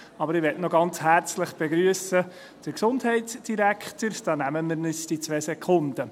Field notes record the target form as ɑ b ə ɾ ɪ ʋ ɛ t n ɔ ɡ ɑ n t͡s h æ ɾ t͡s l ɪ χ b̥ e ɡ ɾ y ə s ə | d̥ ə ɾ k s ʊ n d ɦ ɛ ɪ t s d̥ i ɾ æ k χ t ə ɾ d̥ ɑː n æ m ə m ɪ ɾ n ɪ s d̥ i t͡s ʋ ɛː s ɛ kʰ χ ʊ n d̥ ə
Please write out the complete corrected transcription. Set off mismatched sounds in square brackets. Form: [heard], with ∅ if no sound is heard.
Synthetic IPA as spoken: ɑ b ə ɾ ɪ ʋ ɛ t n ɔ ɡ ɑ n t͡s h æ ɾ t͡s l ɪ χ b̥ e ɡ ɾ y ə s ə | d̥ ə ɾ k s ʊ n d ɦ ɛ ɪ t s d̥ i ɾ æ k χ t ə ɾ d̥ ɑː n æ m ə m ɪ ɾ n ɪ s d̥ i t͡s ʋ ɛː s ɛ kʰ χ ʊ n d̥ ə